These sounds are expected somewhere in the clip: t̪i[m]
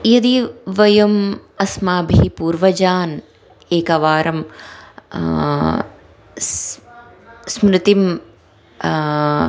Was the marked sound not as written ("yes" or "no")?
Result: no